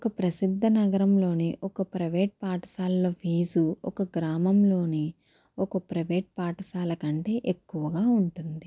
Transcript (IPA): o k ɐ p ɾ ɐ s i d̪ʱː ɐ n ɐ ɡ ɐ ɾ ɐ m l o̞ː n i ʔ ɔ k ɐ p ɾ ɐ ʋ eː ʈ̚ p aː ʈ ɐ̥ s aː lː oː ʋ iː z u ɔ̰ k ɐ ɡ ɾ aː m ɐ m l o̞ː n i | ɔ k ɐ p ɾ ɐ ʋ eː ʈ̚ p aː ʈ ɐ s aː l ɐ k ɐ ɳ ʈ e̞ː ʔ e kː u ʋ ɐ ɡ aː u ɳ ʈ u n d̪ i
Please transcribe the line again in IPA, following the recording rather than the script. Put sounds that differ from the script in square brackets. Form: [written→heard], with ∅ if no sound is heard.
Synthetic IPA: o k ɐ p ɾ ɐ s i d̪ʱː ɐ n ɐ ɡ ɐ ɾ ɐ m l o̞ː n i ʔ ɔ k ɐ p ɾ ɐ ʋ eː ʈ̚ p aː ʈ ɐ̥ s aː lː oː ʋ iː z u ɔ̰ k ɐ ɡ ɾ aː m ɐ m l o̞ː n i | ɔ k ɐ p ɾ ɐ ʋ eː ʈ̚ p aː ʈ ɐ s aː l ɐ k ɐ ɳ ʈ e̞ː ʔ e kː u ʋ ɐ ɡ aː u ɳ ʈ u n d̪ i

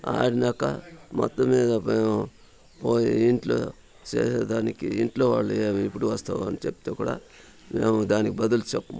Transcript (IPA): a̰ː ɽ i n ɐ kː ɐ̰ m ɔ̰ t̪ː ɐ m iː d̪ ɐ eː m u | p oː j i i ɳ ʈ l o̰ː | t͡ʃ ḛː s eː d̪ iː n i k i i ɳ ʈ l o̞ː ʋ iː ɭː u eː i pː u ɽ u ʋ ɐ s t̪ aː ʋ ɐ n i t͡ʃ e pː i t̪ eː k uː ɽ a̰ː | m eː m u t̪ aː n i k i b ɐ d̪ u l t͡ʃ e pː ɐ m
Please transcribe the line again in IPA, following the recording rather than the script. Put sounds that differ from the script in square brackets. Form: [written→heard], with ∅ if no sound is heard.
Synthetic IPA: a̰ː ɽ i n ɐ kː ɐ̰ m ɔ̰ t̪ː ɐ m iː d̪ ɐ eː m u | p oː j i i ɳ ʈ l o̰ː | t͡ʃ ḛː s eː d̪ [iː→aː] n i k i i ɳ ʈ l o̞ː ʋ [iː→aː] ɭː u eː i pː u ɽ u ʋ ɐ s t̪ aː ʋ ɐ n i t͡ʃ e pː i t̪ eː k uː ɽ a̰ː | m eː m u [t̪→d̪] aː n i k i b ɐ d̪ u l t͡ʃ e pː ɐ m

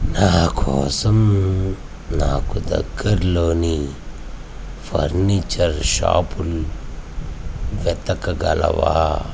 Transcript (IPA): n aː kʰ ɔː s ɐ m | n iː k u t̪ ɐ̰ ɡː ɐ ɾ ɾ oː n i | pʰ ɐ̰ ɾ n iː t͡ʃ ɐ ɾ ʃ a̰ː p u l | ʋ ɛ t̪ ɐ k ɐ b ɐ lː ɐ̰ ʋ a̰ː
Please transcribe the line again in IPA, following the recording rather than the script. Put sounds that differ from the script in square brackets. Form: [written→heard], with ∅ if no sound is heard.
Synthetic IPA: n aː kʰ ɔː s ɐ m | n [iː→aː] k u [t̪→d̪] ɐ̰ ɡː ɐ ɾ [ɾ→l] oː n i | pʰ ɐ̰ ɾ n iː t͡ʃ ɐ ɾ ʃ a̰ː p u l | ʋ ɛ t̪ ɐ k ɐ [b→ɡ] ɐ [lː→l] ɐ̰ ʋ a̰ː

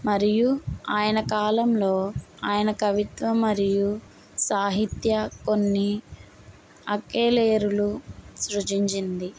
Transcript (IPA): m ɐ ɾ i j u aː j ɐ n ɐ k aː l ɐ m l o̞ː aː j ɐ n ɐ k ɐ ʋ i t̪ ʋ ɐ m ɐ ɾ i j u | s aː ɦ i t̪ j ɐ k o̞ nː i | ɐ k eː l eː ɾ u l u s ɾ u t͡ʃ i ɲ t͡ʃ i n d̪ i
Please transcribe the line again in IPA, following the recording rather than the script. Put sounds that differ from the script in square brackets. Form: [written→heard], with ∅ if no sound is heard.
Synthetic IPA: m ɐ ɾ i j u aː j ɐ n ɐ k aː l ɐ m l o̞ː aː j ɐ n ɐ k ɐ ʋ i t̪ ʋ ɐ m ɐ ɾ i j u | s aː ɦ i t̪ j ɐ k o̞ nː i | ɐ k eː l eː ɾ u l u s ɾ u t͡ʃ i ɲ t͡ʃ i n d̪ i

